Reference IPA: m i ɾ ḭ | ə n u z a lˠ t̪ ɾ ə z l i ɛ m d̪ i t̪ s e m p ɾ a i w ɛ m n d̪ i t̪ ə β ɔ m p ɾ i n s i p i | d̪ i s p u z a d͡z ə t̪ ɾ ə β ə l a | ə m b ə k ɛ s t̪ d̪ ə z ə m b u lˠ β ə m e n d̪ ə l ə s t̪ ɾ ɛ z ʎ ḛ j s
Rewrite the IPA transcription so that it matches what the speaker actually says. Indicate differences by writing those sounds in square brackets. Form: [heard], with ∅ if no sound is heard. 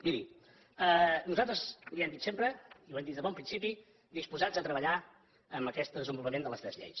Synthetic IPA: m i ɾ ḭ | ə n u z a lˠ t̪ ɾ ə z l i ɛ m d̪ i t̪ s e m p ɾ [ə] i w ɛ m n d̪ i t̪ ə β ɔ m p ɾ i n s i p i | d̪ i s p u z a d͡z ə t̪ ɾ ə β ə [ʎ] a | ə m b ə k ɛ s t̪ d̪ ə z ə m b u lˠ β ə m e n d̪ ə l ə s t̪ ɾ ɛ z ʎ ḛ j s